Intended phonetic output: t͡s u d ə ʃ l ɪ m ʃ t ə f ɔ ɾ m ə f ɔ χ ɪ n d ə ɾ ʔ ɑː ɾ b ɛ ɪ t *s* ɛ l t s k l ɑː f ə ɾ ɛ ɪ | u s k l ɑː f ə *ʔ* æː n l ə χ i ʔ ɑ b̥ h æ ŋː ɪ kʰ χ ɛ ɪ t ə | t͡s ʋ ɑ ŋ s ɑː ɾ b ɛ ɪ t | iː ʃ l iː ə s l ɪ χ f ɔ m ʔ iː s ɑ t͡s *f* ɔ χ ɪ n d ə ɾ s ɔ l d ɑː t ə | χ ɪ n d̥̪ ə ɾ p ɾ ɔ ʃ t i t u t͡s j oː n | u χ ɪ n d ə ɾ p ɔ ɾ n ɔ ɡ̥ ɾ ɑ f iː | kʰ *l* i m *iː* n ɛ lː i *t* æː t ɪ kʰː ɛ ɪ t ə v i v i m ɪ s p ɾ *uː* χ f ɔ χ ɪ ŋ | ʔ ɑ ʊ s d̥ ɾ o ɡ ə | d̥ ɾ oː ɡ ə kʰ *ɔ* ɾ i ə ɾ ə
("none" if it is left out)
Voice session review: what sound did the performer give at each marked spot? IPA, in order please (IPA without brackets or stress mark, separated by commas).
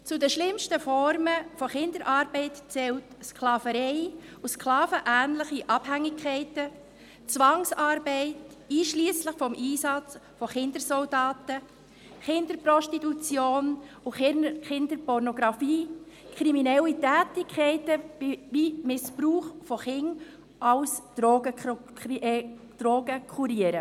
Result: t͡s, ʔ, f, ɾ, i, t, uː, u